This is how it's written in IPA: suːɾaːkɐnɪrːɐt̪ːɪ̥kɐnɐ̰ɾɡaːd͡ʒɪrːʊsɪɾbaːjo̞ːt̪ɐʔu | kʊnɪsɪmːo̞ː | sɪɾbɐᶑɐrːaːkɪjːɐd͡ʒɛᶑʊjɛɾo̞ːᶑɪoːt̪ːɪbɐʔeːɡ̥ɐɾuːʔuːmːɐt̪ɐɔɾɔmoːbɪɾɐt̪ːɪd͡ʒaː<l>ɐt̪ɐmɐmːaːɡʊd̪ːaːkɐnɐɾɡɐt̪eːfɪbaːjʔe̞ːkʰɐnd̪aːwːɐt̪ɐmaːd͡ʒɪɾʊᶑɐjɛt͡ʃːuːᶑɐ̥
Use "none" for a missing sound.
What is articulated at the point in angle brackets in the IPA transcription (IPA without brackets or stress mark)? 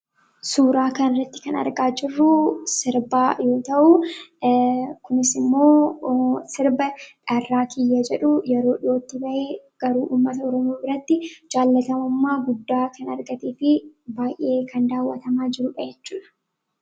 lː